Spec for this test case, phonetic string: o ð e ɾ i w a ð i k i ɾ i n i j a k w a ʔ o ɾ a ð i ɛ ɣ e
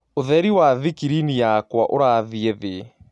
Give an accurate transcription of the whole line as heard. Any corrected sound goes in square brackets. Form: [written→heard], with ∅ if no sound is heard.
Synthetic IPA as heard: o ð [e→ɛ] ɾ i w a ð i k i ɾ i n i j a k w a ʔ o ɾ a ð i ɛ [ɣ→ð] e